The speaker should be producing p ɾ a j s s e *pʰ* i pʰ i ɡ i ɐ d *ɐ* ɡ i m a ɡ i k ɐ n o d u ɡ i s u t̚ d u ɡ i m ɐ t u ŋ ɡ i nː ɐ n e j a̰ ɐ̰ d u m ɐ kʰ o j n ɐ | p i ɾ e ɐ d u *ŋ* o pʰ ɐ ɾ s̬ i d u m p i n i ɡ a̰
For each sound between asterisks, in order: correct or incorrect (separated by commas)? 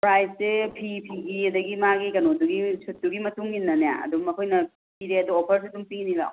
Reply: correct, correct, incorrect